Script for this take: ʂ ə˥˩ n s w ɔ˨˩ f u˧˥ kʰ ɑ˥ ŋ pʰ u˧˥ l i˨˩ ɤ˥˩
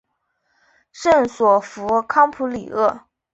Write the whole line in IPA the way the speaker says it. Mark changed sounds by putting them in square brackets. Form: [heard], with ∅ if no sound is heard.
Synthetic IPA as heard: ʂ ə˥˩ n s w ɔ˨˩ f u˧˥ kʰ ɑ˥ ŋ pʰ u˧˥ l i˨˩ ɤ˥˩